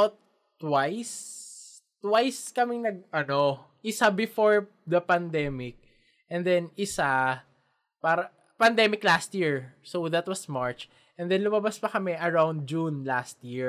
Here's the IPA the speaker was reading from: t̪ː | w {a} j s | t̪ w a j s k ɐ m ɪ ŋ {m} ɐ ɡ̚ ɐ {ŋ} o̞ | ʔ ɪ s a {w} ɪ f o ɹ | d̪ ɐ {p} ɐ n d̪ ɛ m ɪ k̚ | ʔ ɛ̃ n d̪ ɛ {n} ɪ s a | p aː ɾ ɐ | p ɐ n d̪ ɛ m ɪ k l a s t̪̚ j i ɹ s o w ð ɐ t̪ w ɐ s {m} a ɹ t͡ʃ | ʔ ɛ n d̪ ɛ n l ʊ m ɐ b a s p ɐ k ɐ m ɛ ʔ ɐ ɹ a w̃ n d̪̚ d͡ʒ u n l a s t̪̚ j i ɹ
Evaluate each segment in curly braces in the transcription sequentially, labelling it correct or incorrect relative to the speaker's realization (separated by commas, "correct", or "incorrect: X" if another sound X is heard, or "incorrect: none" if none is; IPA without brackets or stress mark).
correct, incorrect: n, incorrect: n, incorrect: b, correct, correct, correct